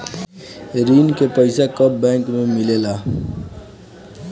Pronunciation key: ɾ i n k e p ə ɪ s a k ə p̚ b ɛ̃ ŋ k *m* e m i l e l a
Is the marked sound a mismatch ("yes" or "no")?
no